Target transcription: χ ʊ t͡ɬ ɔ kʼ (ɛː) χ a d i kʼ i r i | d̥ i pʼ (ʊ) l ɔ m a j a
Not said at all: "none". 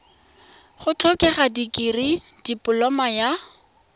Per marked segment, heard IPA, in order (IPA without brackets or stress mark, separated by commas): ɛ, ʊ